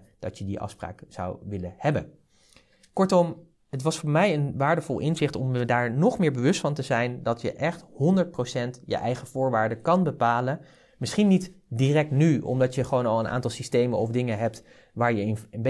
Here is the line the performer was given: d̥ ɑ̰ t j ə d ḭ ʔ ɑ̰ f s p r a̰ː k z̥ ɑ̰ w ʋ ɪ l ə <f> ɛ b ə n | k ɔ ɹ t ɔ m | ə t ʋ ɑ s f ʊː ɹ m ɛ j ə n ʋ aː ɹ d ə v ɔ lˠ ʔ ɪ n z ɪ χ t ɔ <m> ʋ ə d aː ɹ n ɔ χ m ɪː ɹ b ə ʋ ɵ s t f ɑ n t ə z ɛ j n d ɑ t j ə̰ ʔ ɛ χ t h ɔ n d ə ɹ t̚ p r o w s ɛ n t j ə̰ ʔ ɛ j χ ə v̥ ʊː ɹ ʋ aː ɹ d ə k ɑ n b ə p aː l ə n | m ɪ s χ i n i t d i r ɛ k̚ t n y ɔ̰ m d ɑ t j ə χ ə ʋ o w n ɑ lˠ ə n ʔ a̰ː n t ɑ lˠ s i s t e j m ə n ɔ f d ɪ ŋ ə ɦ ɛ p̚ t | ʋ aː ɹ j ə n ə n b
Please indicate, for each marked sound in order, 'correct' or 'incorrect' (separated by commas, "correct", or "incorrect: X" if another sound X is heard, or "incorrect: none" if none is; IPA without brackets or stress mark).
incorrect: h, correct